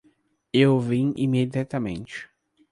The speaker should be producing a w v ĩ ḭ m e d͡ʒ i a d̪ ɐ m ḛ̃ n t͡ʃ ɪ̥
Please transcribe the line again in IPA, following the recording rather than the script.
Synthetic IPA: e w v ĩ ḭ m e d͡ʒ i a t̪ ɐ m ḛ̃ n t͡ʃ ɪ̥